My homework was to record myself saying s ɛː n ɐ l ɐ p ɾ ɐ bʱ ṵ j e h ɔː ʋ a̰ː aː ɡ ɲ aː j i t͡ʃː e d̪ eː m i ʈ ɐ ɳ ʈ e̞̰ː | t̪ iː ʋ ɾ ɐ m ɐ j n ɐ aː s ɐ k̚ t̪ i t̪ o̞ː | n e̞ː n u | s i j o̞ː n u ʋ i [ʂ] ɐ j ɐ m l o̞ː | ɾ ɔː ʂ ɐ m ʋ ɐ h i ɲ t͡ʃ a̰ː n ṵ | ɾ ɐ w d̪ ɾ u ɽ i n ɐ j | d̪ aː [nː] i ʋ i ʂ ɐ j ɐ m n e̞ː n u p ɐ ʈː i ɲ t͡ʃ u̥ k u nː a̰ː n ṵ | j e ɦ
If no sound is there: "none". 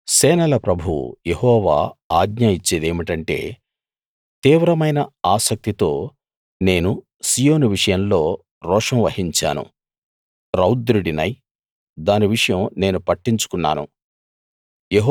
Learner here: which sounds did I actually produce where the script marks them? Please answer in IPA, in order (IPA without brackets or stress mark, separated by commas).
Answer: ʂ, n